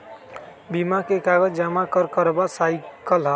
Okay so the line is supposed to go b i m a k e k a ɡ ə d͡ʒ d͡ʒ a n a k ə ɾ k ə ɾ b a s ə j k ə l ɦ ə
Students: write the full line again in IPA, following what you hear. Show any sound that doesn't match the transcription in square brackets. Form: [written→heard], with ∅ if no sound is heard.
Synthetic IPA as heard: b i m a k e k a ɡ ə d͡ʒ d͡ʒ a [n→m] a k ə ɾ k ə ɾ b a s [ə→a] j k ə l ɦ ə

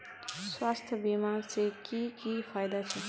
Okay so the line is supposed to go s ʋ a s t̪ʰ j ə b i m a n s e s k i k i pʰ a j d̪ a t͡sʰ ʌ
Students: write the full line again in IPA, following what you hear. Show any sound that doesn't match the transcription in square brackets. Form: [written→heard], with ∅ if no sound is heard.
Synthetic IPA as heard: s [ʋ→w] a s t̪ʰ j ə b i m a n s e [s→∅] k i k i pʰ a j d̪ a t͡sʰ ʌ

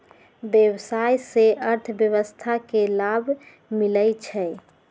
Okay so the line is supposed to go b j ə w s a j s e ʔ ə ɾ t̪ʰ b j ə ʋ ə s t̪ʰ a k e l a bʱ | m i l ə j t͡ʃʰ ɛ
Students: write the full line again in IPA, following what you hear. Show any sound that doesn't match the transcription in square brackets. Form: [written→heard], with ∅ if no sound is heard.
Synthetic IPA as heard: b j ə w s a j s e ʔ ə ɾ t̪ʰ b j ə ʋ ə s t̪ʰ a k e l a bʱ | m i l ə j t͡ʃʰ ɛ

